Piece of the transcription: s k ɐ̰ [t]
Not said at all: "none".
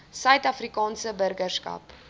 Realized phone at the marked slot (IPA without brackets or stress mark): p